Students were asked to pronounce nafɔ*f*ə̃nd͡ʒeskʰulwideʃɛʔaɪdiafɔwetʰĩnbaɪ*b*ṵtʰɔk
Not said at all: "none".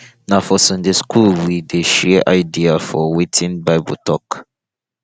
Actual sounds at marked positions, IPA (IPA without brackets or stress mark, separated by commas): s, b